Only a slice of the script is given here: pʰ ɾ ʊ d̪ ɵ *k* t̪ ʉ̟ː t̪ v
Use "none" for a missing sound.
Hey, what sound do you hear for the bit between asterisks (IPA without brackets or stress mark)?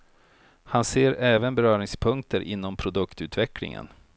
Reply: k